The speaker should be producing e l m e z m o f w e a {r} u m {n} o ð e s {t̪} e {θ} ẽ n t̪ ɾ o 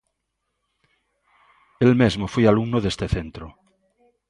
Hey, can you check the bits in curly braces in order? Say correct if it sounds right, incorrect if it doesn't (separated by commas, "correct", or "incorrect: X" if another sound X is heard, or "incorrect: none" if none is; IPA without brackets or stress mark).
incorrect: l, correct, correct, correct